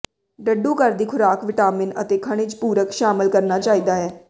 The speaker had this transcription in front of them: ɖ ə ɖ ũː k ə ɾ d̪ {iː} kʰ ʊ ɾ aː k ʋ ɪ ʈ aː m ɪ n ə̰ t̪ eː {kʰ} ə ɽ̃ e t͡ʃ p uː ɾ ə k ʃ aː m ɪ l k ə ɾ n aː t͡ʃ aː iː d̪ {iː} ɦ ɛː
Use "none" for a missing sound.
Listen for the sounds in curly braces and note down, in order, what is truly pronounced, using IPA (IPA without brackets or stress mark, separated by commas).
iː, kʰ, aː